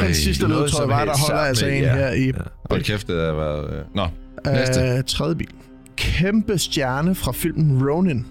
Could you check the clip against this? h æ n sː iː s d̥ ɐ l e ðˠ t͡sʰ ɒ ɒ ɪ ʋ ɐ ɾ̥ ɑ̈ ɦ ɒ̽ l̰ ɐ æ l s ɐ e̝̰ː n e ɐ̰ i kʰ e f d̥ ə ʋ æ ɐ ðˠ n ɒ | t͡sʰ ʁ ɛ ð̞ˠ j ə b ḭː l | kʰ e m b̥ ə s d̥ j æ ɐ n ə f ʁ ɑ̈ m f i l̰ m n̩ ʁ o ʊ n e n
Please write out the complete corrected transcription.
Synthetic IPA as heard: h æ n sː i s d̥ ə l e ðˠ t͡sʰ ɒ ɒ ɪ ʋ ɑ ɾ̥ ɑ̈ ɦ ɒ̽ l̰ ɐ æ l s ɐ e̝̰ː n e ɐ̰ i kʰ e f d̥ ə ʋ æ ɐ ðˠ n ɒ | t͡sʰ ʁ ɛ ð̞ˠ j ə b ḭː l | kʰ e m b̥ ə s d̥ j æ ɐ n ə f ʁ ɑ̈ f i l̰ m n̩ ʁ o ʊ n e n